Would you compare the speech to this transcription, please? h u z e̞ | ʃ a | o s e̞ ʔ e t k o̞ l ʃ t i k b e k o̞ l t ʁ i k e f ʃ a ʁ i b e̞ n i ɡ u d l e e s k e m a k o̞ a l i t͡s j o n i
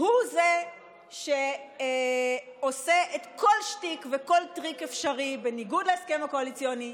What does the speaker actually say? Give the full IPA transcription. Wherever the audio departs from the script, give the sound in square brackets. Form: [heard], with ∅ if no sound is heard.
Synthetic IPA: h u z e̞ | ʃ [e] | o s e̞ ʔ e t k o̞ l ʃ t i k [v] e k o̞ l t ʁ i k e f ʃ a ʁ i b e̞ n i ɡ u d l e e s k e m a k o̞ a l i t͡s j o n i